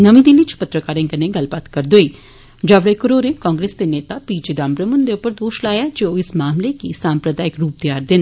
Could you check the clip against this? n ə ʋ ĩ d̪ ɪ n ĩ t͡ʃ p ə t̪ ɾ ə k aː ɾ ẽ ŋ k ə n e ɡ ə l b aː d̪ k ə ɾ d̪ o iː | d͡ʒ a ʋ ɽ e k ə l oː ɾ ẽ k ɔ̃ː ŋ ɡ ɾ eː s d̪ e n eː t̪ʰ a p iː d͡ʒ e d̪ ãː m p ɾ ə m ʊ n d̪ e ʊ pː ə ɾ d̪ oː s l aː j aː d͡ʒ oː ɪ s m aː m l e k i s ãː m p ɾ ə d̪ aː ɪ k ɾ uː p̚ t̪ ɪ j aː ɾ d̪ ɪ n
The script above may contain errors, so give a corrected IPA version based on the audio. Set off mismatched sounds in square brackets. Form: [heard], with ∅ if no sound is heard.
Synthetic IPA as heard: n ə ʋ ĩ d̪ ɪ n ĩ t͡ʃ p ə t̪ ɾ ə k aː ɾ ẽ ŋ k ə n e ɡ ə l b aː [t̪] k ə ɾ d̪ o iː | d͡ʒ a ʋ ɽ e k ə [ɾ] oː ɾ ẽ k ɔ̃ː ŋ ɡ ɾ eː s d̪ e n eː [t̪] a p iː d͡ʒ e d̪ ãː m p ɾ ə m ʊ n d̪ e ʊ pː ə ɾ d̪ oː [ʃ] l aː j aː d͡ʒ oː ɪ s m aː m l e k i s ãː m p ɾ ə d̪ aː ɪ k ɾ uː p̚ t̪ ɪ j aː ɾ d̪ ɪ n